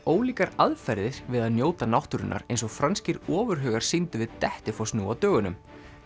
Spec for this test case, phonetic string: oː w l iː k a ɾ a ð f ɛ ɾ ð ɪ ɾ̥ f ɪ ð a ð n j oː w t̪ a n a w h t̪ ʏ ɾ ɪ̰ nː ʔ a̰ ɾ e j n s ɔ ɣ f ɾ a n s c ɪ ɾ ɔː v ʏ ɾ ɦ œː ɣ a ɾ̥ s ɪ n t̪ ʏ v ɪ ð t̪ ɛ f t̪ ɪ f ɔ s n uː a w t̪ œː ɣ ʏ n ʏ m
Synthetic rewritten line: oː w l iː k a ɾ a ð f ɛ ɾ ð ɪ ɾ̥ v ɪ ð a ð n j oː w t̪ a n a w h t̪ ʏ ɾ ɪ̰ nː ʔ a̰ ɾ e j n s ɔ ɣ f ɾ a n s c ɪ ɾ ɔː v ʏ ɾ ɦ œː ɣ a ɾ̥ s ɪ n t̪ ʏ v ɪ ð t̪ ɛ h t̪ ɪ f ɔ s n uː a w t̪ œː ɣ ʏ n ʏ m